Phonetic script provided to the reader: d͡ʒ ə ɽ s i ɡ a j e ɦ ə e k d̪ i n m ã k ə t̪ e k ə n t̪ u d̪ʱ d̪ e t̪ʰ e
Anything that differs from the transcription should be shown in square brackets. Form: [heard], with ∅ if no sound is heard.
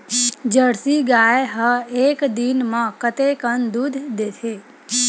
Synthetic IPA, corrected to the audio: d͡ʒ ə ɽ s i ɡ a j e ɦ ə e k d̪ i n m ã k ə t̪ e k ə n [d̪] u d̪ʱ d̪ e t̪ʰ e